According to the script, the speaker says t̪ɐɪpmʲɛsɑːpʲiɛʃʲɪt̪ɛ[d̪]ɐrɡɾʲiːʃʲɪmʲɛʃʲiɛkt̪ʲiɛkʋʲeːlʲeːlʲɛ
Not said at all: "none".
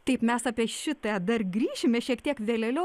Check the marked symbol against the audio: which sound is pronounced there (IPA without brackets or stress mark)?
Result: d̪